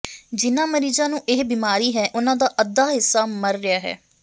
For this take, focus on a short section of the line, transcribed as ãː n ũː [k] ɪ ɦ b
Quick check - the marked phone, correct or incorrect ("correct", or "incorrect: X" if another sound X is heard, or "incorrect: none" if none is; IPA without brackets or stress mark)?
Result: incorrect: ʔ